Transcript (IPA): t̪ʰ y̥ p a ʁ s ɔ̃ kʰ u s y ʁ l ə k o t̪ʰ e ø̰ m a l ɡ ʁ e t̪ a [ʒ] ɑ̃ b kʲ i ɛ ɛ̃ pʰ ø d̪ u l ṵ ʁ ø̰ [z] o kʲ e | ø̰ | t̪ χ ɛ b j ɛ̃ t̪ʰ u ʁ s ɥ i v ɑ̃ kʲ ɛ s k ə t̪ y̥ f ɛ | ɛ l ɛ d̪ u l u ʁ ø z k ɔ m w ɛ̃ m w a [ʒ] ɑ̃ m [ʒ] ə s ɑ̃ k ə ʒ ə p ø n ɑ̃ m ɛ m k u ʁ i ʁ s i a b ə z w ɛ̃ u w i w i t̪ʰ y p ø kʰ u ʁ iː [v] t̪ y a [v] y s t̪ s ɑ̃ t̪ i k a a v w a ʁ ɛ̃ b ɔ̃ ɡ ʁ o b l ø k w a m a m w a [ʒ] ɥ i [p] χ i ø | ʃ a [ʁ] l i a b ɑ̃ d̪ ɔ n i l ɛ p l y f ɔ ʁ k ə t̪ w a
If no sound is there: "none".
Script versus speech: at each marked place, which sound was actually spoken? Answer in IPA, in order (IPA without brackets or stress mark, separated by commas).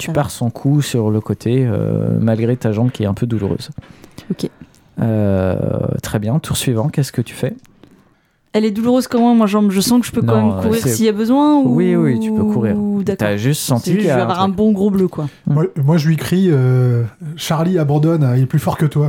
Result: ʒ, z, ʒ, ʒ, ʁ, ʒ, ʒ, k, ʁ